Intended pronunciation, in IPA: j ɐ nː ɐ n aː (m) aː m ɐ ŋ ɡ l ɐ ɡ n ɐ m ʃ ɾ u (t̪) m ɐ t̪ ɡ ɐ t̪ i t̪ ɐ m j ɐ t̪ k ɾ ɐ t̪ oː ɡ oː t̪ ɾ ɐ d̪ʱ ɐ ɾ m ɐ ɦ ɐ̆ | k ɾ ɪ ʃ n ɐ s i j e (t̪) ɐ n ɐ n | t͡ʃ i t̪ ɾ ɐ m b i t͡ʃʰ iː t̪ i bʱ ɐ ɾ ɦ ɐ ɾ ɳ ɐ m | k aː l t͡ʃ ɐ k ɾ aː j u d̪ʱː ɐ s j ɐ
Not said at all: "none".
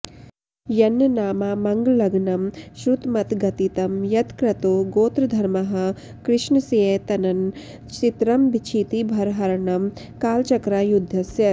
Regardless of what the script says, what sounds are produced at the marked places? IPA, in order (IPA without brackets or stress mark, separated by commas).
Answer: m, t̪, t̪